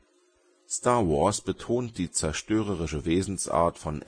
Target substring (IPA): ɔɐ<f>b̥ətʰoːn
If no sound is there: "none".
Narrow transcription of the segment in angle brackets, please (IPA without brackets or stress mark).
s